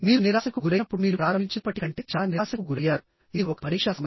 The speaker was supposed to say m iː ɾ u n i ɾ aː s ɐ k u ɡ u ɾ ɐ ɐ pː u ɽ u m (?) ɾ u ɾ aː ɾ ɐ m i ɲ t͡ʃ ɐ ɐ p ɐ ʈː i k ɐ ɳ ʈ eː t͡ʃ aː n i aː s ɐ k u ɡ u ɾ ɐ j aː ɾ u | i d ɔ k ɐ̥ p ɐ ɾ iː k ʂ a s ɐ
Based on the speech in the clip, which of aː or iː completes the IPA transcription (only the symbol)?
iː